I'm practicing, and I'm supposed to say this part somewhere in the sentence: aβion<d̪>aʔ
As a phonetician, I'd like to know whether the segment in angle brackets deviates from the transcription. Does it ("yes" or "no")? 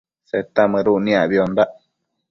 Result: no